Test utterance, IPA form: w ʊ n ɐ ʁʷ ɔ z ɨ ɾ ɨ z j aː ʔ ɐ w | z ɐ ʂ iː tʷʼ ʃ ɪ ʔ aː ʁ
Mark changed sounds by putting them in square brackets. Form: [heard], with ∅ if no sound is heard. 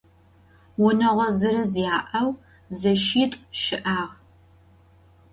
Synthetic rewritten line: w ʊ n ɐ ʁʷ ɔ z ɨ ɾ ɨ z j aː ʔ ɐ w | z ɐ [ʃ] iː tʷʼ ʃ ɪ ʔ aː ʁ